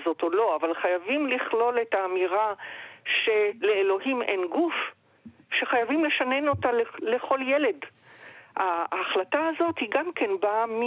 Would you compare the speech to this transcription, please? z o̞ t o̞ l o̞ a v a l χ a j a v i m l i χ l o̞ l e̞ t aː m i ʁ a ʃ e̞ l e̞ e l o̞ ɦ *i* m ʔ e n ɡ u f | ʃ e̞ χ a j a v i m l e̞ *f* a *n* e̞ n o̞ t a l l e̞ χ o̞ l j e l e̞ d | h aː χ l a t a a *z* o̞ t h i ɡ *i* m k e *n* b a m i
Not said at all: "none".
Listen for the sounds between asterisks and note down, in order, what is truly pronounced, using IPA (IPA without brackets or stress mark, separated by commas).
i, ʃ, n, z, a, n